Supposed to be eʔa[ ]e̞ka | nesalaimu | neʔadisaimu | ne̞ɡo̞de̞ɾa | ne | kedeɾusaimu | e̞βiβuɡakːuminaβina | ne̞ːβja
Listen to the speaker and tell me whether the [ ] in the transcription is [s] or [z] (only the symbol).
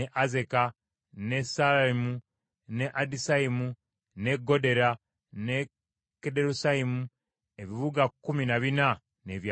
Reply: z